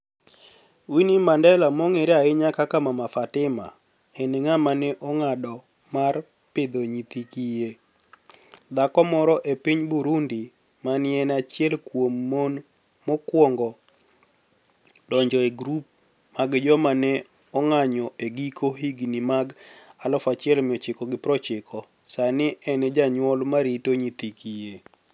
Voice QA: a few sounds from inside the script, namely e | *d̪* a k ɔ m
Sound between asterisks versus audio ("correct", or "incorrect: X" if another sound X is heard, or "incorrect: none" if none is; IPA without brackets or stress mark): correct